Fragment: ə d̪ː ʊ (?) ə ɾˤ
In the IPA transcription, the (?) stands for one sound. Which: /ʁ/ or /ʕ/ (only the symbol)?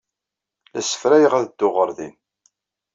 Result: ʁ